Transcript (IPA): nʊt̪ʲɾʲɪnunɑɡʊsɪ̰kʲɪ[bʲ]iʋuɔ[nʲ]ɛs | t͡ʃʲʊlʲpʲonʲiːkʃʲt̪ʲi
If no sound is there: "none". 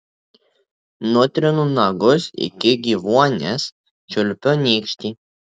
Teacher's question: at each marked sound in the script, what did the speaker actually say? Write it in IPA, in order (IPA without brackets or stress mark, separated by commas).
ɡʲ, nʲ